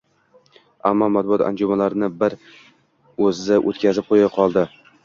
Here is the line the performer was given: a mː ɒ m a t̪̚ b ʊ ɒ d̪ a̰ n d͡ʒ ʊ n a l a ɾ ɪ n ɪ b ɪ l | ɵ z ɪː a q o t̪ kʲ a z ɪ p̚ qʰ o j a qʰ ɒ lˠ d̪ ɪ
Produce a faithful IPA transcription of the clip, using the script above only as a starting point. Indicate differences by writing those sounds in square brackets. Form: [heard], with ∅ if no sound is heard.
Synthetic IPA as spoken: a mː ɒ m a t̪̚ b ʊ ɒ [t̪] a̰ n d͡ʒ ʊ [m] a l a ɾ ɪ n ɪ b ɪ [ɾ] | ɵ z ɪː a [ʔ] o t̪ kʲ a z ɪ p̚ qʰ o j a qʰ ɒ lˠ d̪ ɪ